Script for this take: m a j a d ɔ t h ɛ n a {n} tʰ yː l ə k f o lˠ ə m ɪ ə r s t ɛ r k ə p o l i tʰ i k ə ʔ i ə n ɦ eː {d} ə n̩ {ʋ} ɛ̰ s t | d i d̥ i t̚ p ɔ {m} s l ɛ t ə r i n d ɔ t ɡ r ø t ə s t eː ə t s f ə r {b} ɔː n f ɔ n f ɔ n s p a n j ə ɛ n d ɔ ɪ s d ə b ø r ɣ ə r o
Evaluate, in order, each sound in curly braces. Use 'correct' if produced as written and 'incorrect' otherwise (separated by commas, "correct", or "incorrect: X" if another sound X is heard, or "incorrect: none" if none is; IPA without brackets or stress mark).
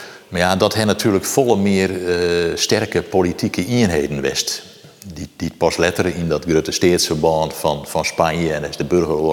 incorrect: none, correct, correct, incorrect: none, correct